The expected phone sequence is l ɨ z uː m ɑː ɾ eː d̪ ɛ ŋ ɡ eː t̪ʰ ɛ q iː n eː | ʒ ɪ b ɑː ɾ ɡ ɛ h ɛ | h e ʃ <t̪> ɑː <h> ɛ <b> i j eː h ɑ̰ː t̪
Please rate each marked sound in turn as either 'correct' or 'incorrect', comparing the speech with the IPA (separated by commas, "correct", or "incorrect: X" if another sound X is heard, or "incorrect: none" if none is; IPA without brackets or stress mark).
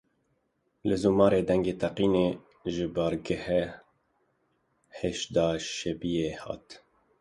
incorrect: d̪, incorrect: ʃ, correct